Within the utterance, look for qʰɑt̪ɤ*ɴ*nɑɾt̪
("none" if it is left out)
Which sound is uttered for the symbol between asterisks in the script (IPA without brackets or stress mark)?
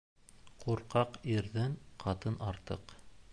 none